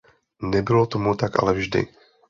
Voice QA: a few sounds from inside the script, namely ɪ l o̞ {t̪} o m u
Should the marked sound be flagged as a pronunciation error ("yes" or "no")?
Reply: no